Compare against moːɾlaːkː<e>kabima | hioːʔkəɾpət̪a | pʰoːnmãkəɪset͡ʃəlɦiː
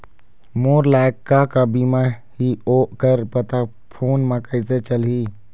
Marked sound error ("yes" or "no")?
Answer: yes